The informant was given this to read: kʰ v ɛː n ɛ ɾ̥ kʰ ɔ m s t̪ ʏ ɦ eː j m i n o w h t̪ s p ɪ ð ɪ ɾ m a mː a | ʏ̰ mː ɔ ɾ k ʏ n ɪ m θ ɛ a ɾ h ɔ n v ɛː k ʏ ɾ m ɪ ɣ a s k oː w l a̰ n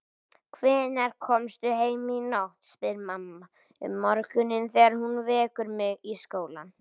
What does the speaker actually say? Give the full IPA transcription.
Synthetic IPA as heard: kʰ v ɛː n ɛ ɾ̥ kʰ ɔ m s t̪ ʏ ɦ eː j m i n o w h t̪ s p ɪ ð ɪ ɾ m a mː a | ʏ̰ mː ɔ ɾ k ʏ n ɪ n θ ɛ a ɾ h u n v ɛː k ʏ ɾ m ɪ ɣ i s k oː w l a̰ n